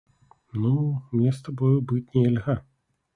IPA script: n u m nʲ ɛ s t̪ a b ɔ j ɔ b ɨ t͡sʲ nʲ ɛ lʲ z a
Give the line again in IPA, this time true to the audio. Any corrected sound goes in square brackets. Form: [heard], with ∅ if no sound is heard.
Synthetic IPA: n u m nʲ ɛ s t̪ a b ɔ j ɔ b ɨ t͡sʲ nʲ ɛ lʲ [ɣ] a

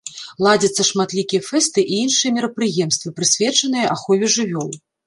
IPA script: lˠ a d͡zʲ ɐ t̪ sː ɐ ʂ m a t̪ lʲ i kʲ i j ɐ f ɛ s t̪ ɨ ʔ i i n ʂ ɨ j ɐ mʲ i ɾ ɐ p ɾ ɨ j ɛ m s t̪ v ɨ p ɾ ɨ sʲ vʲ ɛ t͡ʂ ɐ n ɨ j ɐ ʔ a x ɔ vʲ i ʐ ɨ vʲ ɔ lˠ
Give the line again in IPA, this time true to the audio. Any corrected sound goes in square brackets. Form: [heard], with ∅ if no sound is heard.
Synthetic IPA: lˠ a d͡zʲ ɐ t̪ sː ɐ ʂ m a t̪ lʲ i kʲ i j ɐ f ɛ s t̪ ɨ ʔ i i n ʂ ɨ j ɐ mʲ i ɾ ɐ p ɾ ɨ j ɛ m s t̪ v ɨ p ɾ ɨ sʲ vʲ ɛ t͡ʂ ɐ n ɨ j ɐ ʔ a x ɔ vʲ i ʐ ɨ vʲ ɔ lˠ

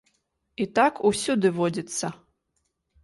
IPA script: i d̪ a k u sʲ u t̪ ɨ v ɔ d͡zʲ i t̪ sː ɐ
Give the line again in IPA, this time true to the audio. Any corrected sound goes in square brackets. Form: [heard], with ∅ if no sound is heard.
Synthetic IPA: i [t̪] a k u sʲ u [d̪] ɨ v ɔ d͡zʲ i t̪ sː ɐ

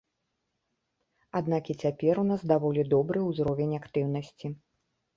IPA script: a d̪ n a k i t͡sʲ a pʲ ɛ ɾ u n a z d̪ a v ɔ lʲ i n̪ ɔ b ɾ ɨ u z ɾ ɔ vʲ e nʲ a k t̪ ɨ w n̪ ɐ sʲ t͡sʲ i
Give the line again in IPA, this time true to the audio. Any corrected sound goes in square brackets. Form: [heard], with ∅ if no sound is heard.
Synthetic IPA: a d̪ n a k i t͡sʲ a pʲ ɛ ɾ u n a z d̪ a v ɔ lʲ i [d̪] ɔ b ɾ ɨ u z ɾ ɔ vʲ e nʲ a k t̪ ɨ w n̪ ɐ sʲ t͡sʲ i

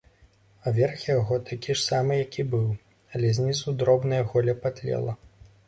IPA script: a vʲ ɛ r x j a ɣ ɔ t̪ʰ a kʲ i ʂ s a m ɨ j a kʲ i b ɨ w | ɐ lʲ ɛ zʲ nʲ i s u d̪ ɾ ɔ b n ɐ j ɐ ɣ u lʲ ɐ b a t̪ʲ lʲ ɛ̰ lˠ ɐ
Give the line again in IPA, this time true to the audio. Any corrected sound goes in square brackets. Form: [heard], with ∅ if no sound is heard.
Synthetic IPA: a vʲ ɛ r x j a ɣ ɔ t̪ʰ a kʲ i ʂ s a m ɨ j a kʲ i b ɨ w | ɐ lʲ ɛ zʲ nʲ i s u d̪ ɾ ɔ b n ɐ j ɐ ɣ [ɔ] lʲ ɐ [p] a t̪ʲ lʲ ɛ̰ lˠ ɐ

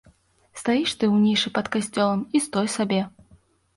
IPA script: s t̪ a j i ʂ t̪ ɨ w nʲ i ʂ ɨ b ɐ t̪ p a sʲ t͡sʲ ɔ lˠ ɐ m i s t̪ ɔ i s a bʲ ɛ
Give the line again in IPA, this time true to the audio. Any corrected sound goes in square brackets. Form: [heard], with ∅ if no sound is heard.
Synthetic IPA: s t̪ a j i ʂ t̪ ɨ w nʲ i ʂ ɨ [p] ɐ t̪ [k] a sʲ t͡sʲ ɔ lˠ ɐ m i s t̪ ɔ [j] s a bʲ ɛ

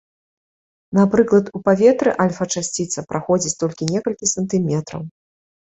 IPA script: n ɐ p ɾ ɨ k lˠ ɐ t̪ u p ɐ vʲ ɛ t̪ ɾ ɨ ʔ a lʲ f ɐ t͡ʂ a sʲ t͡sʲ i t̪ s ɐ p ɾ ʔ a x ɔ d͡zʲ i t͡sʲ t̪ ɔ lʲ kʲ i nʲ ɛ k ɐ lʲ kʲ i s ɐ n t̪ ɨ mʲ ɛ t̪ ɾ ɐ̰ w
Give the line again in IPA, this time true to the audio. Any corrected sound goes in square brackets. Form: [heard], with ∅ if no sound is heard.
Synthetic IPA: n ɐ p ɾ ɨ k lˠ ɐ t̪ u p [a] vʲ ɛ t̪ ɾ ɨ ʔ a lʲ f ɐ t͡ʂ a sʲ t͡sʲ i t̪ s ɐ p ɾ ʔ a x ɔ d͡zʲ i t͡sʲ t̪ ɔ lʲ kʲ i nʲ ɛ k ɐ lʲ kʲ i s ɐ n t̪ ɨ mʲ ɛ t̪ ɾ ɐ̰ w

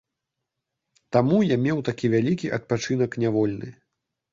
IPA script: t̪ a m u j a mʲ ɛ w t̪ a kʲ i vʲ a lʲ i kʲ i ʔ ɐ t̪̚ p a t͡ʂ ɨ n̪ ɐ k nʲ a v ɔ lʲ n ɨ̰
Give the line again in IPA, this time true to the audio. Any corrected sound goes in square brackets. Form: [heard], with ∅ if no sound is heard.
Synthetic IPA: t̪ a m u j a mʲ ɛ w t̪ a kʲ i vʲ a lʲ i kʲ i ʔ ɐ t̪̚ p a t͡ʂ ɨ n̪ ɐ k nʲ a v ɔ lʲ n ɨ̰

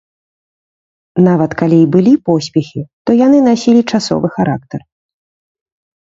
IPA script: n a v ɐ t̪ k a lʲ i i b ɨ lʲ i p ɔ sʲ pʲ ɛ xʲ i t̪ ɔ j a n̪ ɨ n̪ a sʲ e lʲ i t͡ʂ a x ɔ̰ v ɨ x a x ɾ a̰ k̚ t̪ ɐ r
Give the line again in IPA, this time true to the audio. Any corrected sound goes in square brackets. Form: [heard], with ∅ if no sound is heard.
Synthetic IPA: n a v ɐ t̪ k a lʲ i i b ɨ lʲ i p ɔ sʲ pʲ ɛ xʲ i t̪ ɔ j a n̪ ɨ n̪ a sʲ [i] lʲ i t͡ʂ a [s] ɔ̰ v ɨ x a [∅] ɾ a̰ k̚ t̪ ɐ r

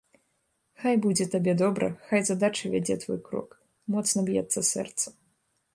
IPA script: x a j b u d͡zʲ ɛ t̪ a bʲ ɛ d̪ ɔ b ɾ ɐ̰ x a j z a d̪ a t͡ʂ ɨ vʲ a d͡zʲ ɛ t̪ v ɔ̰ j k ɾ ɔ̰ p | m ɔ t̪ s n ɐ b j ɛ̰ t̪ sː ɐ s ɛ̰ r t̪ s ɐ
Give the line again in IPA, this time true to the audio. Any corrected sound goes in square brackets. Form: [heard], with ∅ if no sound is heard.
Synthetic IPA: x a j b u d͡zʲ ɛ t̪ a bʲ ɛ d̪ ɔ b ɾ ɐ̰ x a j z a d̪ a t͡ʂ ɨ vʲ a d͡zʲ ɛ t̪ v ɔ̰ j k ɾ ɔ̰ [k] | m ɔ t̪ s n ɐ b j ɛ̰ t̪ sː ɐ s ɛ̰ r t̪ s ɐ

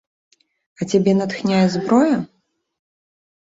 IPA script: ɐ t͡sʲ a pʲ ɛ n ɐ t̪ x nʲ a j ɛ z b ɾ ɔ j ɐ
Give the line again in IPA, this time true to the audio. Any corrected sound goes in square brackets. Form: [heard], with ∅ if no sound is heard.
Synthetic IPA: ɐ t͡sʲ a [bʲ] ɛ n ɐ t̪ x nʲ a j ɛ z b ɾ ɔ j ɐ

